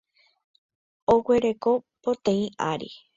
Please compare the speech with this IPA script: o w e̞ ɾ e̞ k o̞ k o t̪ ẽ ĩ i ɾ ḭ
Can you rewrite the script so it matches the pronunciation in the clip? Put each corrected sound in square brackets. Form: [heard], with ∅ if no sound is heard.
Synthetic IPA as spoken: o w e̞ ɾ e̞ k o̞ [p] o t̪ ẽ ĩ [a] ɾ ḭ